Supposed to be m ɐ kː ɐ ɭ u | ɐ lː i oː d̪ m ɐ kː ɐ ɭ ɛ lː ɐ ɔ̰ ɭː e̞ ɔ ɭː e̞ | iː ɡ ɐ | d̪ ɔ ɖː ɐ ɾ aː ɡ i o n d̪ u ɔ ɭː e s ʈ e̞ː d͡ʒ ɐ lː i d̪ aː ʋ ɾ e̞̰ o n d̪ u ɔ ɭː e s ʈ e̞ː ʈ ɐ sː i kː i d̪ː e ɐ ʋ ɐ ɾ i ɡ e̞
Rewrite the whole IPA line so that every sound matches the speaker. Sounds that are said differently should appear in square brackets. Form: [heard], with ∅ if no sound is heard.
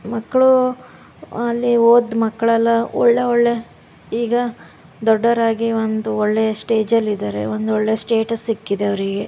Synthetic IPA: m ɐ kː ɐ ɭ u | ɐ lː i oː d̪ m ɐ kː ɐ ɭ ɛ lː ɐ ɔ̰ ɭː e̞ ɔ ɭː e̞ | iː ɡ ɐ | d̪ ɔ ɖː ɐ ɾ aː ɡ i o n d̪ u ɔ ɭː e s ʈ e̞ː d͡ʒ ɐ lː i d̪ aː [∅] ɾ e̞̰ o n d̪ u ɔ ɭː e s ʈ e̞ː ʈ ɐ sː i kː i [d̪] e ɐ ʋ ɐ ɾ i ɡ e̞

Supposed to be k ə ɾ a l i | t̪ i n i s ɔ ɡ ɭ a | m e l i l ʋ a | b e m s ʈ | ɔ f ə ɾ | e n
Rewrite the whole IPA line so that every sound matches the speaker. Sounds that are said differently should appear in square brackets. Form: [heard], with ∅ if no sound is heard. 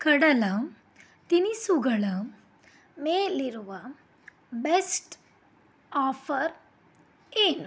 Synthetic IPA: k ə [ɽ] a l [a] | t̪ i n i s [u] ɡ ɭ a | m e l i [ɾ] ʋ a | b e [∅] s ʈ | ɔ f ə ɾ | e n

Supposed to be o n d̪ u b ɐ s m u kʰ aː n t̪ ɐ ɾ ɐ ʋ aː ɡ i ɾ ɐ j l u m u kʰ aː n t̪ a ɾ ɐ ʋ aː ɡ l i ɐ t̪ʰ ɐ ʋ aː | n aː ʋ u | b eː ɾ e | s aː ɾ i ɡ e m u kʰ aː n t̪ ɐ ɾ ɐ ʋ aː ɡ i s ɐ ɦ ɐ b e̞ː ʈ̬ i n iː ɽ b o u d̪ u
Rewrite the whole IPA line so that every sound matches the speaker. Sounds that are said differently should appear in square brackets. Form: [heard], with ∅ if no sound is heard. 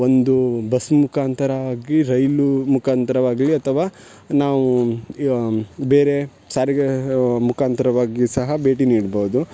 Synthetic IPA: o n d̪ u b ɐ s m u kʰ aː n t̪ ɐ ɾ ɐ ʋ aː ɡ i ɾ ɐ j l u m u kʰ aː n t̪ [ɐ] ɾ ɐ ʋ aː ɡ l i ɐ t̪ʰ ɐ ʋ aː | n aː ʋ u | b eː ɾ e | s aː ɾ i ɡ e m u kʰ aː n t̪ ɐ ɾ ɐ ʋ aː ɡ i s ɐ ɦ ɐ b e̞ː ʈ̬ i n iː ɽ b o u d̪ u

